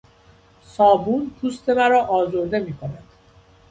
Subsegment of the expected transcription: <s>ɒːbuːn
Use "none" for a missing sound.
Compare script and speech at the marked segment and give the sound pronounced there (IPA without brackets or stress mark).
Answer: s